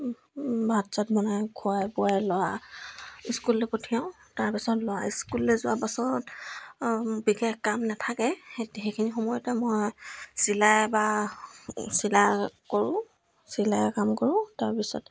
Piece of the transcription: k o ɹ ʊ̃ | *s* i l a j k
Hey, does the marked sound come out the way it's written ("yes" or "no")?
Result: yes